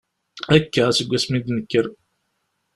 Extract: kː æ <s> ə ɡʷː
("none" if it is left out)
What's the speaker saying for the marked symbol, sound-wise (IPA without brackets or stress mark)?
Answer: s